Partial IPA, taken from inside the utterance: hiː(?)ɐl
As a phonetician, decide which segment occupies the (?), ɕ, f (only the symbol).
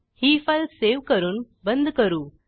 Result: f